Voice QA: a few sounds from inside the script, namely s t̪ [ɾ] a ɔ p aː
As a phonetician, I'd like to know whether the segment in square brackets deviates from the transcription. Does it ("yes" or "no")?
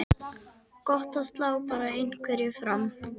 yes